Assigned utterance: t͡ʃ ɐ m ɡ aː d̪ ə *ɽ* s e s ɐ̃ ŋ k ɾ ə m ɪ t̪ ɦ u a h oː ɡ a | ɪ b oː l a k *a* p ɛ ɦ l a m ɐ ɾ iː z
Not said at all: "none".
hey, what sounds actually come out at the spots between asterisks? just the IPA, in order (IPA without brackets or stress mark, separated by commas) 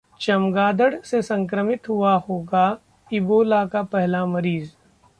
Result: ɽ, a